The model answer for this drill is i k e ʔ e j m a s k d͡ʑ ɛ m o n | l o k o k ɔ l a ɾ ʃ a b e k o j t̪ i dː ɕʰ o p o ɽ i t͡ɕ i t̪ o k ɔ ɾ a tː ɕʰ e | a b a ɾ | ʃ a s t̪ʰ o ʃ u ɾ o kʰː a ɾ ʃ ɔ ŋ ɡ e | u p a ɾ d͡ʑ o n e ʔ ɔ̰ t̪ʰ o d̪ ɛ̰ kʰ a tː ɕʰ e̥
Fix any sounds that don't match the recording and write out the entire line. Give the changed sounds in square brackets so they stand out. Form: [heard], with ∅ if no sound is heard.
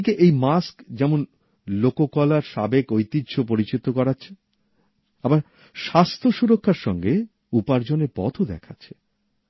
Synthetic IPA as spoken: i k e ʔ e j m a s k d͡ʑ ɛ m o n | l o k o k ɔ l a ɾ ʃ a b e k o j t̪ i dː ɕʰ o p o [ɾ] i t͡ɕ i t̪ o k ɔ ɾ a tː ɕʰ e | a b a ɾ | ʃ a s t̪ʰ o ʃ u ɾ o kʰː a ɾ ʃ ɔ ŋ ɡ e | u p a ɾ d͡ʑ o n e [p] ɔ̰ t̪ʰ o d̪ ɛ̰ kʰ a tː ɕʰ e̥

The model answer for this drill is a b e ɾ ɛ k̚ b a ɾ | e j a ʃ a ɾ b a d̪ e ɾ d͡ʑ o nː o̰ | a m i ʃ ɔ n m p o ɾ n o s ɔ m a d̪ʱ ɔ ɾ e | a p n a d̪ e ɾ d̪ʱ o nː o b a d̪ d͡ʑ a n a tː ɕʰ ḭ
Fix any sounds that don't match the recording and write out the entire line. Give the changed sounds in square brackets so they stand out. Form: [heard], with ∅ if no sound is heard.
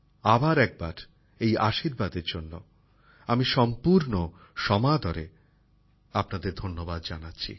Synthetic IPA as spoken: a b [a] ɾ ɛ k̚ b a ɾ | e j a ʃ [i] ɾ b a d̪ e ɾ d͡ʑ o nː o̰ | a m i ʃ ɔ [∅] m p [u] ɾ n o [ʃ] ɔ m a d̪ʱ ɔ ɾ e | a p n a d̪ e ɾ d̪ʱ o nː o b a d̪ d͡ʑ a n a tː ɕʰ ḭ

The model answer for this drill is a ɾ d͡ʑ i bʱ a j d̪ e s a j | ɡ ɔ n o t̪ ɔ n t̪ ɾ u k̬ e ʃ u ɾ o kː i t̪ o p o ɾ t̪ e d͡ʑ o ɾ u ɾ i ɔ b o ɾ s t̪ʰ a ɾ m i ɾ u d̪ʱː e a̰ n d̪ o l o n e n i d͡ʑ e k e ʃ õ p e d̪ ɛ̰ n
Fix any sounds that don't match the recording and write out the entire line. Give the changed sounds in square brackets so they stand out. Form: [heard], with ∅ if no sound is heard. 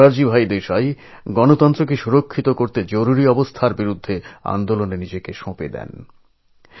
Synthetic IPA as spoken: a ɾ d͡ʑ i bʱ a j d̪ e [ʃ] a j | ɡ ɔ n o t̪ ɔ n t̪ ɾ [o] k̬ e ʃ u ɾ o [kʰː] i t̪ o [k] o ɾ t̪ e d͡ʑ o ɾ u ɾ i ɔ b o [∅] s t̪ʰ a ɾ [b] i ɾ u d̪ʱː e a̰ n d̪ o l o n e n i d͡ʑ e k e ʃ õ p e d̪ ɛ̰ n

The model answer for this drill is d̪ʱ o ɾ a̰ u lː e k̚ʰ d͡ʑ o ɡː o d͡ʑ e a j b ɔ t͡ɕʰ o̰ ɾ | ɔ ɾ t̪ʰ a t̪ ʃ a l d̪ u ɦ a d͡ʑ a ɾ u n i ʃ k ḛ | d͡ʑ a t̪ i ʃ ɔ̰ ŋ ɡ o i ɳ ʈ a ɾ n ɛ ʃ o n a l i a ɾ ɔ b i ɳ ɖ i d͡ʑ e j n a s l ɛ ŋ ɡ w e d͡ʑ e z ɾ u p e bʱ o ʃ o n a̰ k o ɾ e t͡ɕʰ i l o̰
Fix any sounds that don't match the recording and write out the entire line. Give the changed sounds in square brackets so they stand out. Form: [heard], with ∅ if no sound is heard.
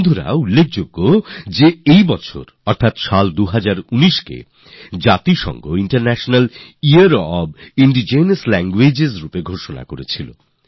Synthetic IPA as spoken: d̪ʱ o ɾ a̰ u lː e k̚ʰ d͡ʑ o ɡː o d͡ʑ e [e] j b ɔ t͡ɕʰ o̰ ɾ | ɔ ɾ t̪ʰ a t̪ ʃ a l d̪ u ɦ a d͡ʑ a ɾ u n i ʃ k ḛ | d͡ʑ a t̪ i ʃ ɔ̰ ŋ ɡ o i ɳ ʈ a ɾ n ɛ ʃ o n a l i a ɾ ɔ b i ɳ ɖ i d͡ʑ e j n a s l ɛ ŋ ɡ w e d͡ʑ e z ɾ u p e [ɡʱ] o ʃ o n a̰ k o ɾ e t͡ɕʰ i l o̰

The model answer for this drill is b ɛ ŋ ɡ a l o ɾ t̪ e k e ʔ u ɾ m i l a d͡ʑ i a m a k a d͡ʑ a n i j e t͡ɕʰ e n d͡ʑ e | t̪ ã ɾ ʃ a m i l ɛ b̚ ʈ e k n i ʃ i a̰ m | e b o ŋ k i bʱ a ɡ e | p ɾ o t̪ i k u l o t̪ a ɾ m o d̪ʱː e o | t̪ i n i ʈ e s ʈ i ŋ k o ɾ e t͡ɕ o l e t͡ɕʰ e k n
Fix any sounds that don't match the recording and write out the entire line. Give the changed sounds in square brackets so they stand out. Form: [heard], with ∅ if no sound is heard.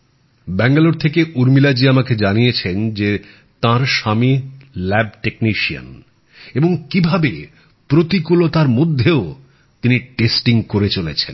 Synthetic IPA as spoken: b ɛ ŋ ɡ a l o ɾ [t̪ʰ] e k e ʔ u ɾ m i l a d͡ʑ i a m a k [e] d͡ʑ a n i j e t͡ɕʰ e n d͡ʑ e | t̪ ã ɾ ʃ a m i l ɛ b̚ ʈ e k n i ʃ i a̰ [n] | e b o ŋ k i bʱ a [b] e | p ɾ o t̪ i k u l o t̪ a ɾ m o d̪ʱː e o | t̪ i n i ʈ e s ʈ i ŋ k o ɾ e t͡ɕ o l e t͡ɕʰ e [∅] n

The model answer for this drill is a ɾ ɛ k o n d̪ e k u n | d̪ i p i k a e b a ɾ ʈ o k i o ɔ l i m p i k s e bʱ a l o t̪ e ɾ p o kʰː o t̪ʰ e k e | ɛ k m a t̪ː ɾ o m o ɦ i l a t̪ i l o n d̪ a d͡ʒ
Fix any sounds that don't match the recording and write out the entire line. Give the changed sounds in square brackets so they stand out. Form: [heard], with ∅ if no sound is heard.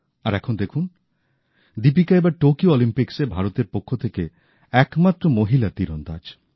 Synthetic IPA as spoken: a ɾ ɛ [kʰ] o n d̪ e [kʰ] u n | d̪ i p i k a e b a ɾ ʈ o k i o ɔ l i m p i k s e bʱ a [ɾ] o t̪ e ɾ p o kʰː o t̪ʰ e k e | ɛ k m a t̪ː ɾ o m o ɦ i l a t̪ i [ɾ] o n d̪ a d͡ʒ

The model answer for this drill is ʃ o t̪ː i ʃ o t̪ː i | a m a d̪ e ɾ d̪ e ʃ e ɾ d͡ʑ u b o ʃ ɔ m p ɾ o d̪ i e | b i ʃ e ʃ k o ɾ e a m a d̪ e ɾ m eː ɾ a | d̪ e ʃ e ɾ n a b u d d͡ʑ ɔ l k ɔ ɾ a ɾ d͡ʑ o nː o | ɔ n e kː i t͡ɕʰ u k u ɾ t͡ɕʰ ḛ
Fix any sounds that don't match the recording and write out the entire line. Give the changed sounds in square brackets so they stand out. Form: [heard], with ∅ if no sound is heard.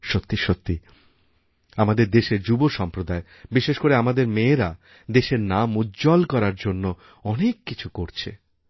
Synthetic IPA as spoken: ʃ o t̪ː i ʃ o t̪ː i | a m a d̪ e ɾ d̪ e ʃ e ɾ d͡ʑ u b o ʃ ɔ m p ɾ o d̪ [a] e | b i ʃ e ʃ k o ɾ e a m a d̪ e ɾ m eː ɾ a | d̪ e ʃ e ɾ n a [m] u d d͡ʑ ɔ l k ɔ ɾ a ɾ d͡ʑ o nː o | ɔ n e kː i t͡ɕʰ u k [o] ɾ t͡ɕʰ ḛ

